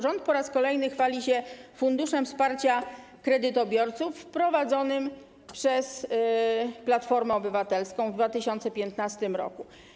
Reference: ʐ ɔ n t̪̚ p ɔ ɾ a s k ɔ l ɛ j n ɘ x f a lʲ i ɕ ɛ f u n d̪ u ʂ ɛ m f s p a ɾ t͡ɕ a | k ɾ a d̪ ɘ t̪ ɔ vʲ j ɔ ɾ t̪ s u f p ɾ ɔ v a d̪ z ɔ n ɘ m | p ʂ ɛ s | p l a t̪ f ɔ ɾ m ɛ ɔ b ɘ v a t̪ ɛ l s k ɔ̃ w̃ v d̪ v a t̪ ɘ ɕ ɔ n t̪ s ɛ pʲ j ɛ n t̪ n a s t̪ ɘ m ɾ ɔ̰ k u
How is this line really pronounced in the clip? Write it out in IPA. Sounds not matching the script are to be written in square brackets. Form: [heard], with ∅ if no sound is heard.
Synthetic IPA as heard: ʐ ɔ n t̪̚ p ɔ ɾ a s k ɔ l ɛ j n ɘ x f a lʲ i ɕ ɛ f u n d̪ u ʂ ɛ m f s p a ɾ t͡ɕ a | k ɾ [ɛ] d̪ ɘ t̪ ɔ [bʲ] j ɔ ɾ t̪ s u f p ɾ ɔ v a d̪ z ɔ n ɘ m | p ʂ ɛ s | p l a t̪ f ɔ ɾ m ɛ ɔ b ɘ v a t̪ ɛ l s k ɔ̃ w̃ v d̪ v a t̪ ɘ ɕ ɔ n t̪ s ɛ pʲ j ɛ n t̪ n a s t̪ ɘ m ɾ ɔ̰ k u